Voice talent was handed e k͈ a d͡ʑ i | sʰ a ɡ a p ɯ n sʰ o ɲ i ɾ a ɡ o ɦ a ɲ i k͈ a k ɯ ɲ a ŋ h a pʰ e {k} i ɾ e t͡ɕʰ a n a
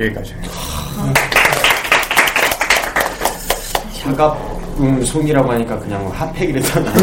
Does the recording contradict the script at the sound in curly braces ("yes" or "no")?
yes